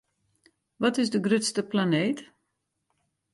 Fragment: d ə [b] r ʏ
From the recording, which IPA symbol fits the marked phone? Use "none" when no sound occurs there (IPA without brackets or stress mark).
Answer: ɡ